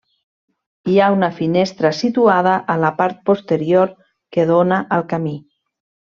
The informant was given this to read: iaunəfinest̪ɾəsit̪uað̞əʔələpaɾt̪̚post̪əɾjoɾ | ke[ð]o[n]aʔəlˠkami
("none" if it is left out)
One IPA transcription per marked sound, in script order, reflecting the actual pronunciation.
ð, n

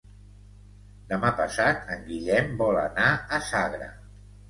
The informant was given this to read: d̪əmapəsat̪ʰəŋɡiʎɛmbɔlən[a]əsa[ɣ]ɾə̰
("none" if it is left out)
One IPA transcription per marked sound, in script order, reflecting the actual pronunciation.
a, ɣ

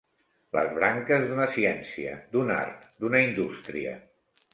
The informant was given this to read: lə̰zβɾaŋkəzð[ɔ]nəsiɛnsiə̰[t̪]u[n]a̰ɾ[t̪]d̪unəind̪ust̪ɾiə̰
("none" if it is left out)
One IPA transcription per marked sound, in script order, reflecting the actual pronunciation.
u, d̪, n, t̪

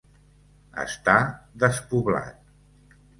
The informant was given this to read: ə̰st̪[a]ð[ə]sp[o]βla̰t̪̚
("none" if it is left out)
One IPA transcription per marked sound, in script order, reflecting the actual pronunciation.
a, ə, u

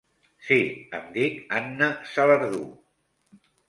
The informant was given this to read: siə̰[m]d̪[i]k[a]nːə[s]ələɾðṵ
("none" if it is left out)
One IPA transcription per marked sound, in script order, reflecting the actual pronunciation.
m, i, a, s

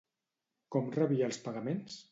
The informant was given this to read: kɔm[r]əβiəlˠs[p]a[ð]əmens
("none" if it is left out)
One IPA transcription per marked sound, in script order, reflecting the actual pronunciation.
r, p, ɣ

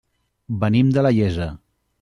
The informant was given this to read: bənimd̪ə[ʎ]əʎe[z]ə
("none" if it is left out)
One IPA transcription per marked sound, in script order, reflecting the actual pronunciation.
l, z

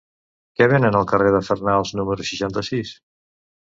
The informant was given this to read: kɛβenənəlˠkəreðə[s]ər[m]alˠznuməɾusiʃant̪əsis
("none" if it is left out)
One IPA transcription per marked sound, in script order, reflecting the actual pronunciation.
f, n

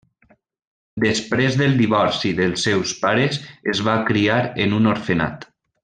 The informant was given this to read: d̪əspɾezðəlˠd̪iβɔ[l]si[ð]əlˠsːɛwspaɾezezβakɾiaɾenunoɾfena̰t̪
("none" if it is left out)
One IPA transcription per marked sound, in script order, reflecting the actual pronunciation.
ɾ, ð

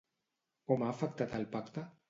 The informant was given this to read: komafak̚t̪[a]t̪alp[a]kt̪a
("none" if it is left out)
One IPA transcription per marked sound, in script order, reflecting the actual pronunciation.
a, a

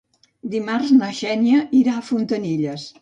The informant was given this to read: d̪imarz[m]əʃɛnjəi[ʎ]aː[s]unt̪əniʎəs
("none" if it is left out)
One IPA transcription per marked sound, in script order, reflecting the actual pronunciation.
n, ɾ, f

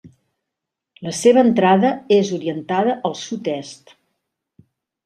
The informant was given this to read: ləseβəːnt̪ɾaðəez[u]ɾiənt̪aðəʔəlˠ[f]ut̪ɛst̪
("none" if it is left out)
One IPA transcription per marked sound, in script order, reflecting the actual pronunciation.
u, s

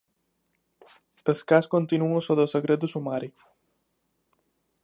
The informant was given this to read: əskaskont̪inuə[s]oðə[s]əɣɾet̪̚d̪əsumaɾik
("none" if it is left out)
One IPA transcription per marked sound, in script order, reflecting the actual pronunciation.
s, s

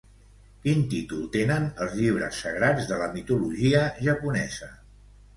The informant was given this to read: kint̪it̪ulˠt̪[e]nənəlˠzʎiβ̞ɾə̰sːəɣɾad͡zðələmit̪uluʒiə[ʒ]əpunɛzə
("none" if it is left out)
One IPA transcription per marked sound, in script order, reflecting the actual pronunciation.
e, ʒ

